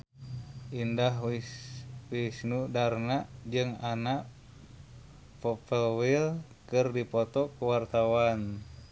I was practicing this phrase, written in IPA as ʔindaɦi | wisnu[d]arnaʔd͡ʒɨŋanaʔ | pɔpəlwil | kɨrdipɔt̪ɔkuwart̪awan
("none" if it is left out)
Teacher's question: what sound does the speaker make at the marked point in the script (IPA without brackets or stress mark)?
d